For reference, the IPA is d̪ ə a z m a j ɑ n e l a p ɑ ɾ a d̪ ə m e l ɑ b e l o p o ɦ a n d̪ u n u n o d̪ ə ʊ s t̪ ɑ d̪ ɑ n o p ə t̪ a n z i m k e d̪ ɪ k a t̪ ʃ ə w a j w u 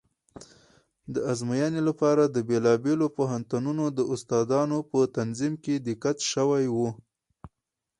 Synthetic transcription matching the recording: d̪ ə a z m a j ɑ n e l a p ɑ ɾ a d̪ ə b e l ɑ b e l o p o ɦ a n t̪ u n u n o d̪ ə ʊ s t̪ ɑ d̪ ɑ n o p ə t̪ a n z i m k e d̪ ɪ k a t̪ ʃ ə w a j w u